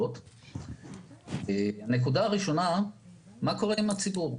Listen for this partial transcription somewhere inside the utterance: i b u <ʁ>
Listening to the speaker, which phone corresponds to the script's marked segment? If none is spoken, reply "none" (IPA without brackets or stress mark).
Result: ʁ